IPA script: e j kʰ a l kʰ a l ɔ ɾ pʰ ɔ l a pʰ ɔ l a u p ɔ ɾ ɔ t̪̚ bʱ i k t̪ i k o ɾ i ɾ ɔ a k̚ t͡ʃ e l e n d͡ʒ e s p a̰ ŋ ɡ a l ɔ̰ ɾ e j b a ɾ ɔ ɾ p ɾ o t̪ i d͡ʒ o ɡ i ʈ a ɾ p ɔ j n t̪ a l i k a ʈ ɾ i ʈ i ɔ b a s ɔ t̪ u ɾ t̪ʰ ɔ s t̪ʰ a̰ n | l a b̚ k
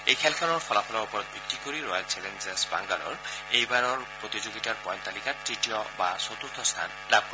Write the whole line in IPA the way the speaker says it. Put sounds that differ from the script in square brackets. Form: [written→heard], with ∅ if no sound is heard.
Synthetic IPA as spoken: e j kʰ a l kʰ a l ɔ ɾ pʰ ɔ l a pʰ ɔ l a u p ɔ ɾ ɔ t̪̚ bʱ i k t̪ i k o ɾ i ɾ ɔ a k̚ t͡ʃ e l e n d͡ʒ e s [p→b] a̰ ŋ ɡ a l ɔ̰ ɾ e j b a ɾ ɔ ɾ p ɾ o t̪ i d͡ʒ o ɡ i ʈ a ɾ p ɔ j n t̪ a l i k a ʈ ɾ i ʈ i ɔ b a s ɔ t̪ u ɾ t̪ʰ ɔ s t̪ʰ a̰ n | l a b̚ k